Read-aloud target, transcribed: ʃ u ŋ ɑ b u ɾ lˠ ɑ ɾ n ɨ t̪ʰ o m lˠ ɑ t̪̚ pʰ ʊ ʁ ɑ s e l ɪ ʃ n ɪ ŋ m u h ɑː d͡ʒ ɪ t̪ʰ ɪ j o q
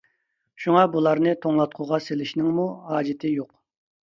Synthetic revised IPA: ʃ u ŋ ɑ b u lˠ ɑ ɾ n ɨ t̪ʰ o ŋ lˠ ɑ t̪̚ qʰ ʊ ʁ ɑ s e l ɪ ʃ n ɪ ŋ m u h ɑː d͡ʒ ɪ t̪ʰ ɪ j o q